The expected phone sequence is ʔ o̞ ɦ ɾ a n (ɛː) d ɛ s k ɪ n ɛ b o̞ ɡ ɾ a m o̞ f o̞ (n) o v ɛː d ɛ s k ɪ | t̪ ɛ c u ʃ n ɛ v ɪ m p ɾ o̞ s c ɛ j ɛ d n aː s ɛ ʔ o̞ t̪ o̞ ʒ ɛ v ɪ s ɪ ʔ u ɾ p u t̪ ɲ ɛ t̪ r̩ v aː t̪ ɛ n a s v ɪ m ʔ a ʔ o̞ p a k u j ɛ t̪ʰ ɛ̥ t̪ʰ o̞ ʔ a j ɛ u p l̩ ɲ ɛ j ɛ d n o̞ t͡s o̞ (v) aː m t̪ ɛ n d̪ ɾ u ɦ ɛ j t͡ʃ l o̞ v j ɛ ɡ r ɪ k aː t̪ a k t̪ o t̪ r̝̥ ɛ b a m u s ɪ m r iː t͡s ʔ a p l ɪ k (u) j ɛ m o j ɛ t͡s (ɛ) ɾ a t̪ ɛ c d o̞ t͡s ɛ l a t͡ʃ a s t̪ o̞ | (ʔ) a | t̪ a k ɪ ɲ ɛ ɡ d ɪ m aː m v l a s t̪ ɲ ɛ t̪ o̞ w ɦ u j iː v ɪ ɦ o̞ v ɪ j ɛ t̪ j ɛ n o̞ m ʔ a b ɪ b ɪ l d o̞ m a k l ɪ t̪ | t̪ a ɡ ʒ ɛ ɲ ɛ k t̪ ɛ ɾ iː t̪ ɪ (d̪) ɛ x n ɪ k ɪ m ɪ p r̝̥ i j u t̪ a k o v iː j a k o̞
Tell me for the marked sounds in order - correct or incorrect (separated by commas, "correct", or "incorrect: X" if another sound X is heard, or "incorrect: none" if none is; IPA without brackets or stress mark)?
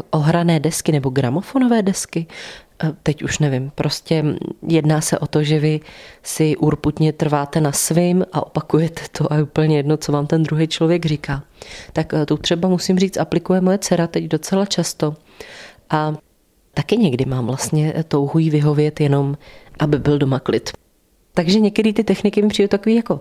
correct, correct, correct, correct, correct, correct, incorrect: t̪